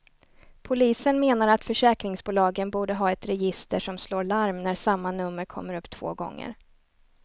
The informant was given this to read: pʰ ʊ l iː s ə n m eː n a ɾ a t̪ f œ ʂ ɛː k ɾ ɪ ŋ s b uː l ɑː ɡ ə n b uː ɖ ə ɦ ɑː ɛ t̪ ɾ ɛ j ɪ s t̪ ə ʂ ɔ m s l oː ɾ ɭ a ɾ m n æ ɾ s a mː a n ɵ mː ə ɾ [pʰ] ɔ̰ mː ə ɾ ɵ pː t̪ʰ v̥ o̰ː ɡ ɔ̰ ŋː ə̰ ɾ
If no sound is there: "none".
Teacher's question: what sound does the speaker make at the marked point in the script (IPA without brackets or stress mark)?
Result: kʰ